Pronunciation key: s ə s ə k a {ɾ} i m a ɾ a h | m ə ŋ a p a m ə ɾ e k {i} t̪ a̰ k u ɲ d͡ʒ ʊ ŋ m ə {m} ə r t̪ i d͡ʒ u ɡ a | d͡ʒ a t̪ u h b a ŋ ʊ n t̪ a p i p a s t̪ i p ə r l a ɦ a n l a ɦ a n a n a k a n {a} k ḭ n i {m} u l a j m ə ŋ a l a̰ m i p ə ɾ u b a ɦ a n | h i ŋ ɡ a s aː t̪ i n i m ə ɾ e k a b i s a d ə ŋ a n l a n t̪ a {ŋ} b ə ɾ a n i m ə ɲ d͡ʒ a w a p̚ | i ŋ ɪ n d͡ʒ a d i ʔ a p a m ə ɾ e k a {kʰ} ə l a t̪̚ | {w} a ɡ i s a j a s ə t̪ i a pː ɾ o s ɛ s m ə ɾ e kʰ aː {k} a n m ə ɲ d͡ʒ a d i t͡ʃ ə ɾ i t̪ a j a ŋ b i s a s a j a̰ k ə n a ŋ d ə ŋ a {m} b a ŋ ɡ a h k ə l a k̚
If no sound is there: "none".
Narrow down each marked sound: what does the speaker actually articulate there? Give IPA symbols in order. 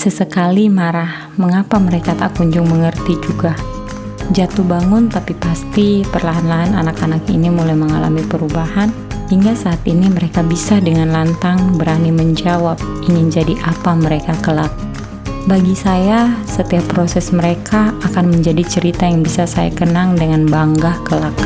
l, a, ŋ, a, m, ŋ, k, b, k, n

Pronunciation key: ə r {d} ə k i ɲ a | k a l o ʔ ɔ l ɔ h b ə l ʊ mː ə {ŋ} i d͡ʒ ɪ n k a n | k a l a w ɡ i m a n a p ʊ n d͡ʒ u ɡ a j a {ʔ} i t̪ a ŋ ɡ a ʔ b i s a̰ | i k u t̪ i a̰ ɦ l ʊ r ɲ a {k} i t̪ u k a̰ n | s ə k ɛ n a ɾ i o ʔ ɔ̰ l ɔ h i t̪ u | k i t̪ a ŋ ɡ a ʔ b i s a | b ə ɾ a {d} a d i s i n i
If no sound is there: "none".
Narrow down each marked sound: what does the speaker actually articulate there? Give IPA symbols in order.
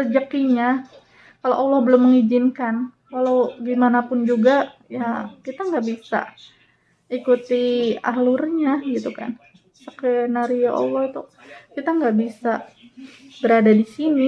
d͡ʒ, ŋ, k, ɡ, d

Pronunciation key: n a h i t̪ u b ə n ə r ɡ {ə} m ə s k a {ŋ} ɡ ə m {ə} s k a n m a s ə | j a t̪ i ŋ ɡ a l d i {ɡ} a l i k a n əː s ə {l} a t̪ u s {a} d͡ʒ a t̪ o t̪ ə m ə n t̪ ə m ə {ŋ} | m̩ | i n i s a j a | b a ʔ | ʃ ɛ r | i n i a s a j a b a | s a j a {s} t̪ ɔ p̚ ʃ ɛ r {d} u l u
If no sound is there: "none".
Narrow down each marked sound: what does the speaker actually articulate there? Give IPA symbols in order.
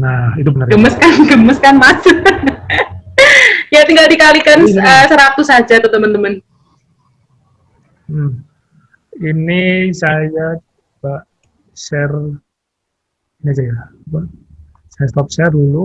ə, n, ə, k, ɾ, a, n, s, d

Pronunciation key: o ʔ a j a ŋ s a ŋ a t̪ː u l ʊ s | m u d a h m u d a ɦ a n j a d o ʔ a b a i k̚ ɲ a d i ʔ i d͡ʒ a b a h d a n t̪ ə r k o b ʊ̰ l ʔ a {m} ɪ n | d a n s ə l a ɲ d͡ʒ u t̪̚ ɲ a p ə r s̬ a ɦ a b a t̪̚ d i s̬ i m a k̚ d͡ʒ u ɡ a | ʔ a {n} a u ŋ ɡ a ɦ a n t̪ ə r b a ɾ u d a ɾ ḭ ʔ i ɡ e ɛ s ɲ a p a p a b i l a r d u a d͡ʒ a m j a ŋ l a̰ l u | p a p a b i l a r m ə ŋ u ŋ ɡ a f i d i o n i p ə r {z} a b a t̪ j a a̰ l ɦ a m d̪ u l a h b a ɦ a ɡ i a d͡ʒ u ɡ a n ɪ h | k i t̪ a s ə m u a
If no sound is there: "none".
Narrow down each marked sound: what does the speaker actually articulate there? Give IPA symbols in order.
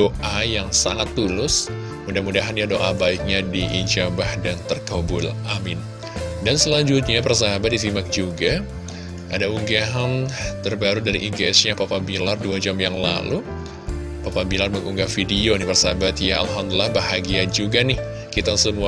m, d, s

